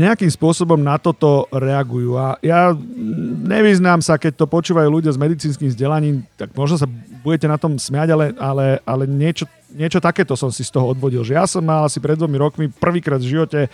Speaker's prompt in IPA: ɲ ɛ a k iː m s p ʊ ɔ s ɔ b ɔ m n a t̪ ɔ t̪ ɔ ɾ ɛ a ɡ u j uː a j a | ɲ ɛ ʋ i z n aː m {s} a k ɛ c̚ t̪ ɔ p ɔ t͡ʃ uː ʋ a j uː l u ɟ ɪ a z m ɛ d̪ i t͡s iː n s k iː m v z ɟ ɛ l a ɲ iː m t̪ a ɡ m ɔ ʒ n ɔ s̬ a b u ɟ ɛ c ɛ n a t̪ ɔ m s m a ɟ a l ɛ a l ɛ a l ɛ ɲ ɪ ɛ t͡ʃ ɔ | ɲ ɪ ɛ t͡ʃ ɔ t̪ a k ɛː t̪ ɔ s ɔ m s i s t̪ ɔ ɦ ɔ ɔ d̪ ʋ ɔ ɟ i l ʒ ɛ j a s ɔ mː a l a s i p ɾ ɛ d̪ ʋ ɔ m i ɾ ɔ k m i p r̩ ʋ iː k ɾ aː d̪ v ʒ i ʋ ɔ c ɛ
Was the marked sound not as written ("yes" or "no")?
no